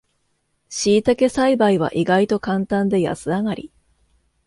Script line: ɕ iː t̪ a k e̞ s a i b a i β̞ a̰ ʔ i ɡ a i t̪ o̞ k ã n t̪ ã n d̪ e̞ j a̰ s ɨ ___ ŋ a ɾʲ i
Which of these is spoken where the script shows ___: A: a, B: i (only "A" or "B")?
A